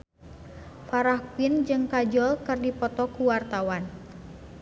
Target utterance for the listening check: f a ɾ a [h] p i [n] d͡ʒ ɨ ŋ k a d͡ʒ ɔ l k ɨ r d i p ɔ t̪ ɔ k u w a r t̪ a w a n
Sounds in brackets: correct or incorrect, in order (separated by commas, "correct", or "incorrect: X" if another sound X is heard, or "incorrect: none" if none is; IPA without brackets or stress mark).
correct, correct